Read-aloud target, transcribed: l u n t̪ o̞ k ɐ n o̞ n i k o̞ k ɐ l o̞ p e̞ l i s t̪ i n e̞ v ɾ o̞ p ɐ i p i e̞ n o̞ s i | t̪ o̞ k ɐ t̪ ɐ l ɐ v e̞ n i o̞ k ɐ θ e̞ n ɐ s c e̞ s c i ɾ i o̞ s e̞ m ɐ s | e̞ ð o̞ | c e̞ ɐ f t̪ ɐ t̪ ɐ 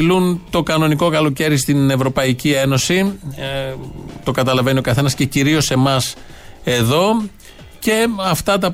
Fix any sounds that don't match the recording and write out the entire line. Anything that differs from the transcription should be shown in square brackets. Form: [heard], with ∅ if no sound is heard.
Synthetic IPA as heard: l u n t̪ o̞ k ɐ n o̞ n i k o̞ k ɐ l o̞ [c] e̞ [ɾ] i s t̪ i n e̞ v ɾ o̞ p ɐ i [c] i e̞ n o̞ s i | t̪ o̞ k ɐ t̪ ɐ l ɐ v e̞ n i o̞ k ɐ θ e̞ n ɐ s c e̞ [∅] c i ɾ i o̞ s e̞ m ɐ s | e̞ ð o̞ | c e̞ ɐ f t̪ ɐ t̪ ɐ